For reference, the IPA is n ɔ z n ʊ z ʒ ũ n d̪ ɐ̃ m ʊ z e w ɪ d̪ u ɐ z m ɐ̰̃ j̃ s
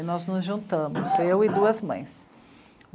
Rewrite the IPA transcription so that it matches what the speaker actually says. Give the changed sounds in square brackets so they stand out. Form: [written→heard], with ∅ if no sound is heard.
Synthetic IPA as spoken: n ɔ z n ʊ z ʒ ũ n [d̪→t̪] ɐ̃ m ʊ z e w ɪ d̪ u ɐ z m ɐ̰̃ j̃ s